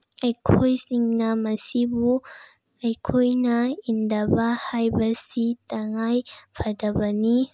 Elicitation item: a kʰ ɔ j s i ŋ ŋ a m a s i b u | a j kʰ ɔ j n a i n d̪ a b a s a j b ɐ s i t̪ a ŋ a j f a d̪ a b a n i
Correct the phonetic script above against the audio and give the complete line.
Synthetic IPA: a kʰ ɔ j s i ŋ n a m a s i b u | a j kʰ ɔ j n a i n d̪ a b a h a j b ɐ s i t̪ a ŋ a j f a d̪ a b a n i